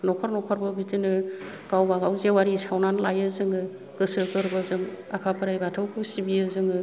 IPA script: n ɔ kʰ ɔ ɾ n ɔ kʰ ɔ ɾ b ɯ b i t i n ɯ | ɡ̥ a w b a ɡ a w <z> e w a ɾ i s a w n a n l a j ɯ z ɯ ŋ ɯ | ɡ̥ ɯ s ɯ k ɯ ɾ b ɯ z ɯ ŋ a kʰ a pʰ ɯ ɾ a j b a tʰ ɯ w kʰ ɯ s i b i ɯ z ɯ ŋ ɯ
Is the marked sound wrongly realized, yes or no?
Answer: no